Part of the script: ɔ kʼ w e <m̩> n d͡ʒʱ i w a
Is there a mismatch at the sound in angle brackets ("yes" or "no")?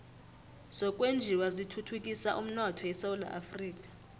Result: yes